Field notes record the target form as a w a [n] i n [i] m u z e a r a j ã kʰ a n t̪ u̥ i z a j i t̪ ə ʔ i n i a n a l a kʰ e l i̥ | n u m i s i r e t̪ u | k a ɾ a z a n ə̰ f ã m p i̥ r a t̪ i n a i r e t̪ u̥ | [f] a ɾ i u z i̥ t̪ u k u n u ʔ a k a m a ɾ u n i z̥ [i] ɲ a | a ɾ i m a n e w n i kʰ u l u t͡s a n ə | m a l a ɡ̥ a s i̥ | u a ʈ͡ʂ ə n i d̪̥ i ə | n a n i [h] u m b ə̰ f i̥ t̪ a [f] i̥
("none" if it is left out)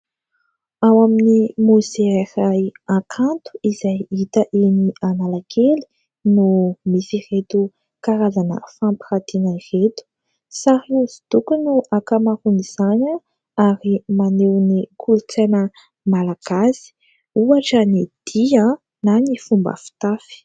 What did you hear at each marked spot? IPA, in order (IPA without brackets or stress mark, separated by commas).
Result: m, i, s, a, f, f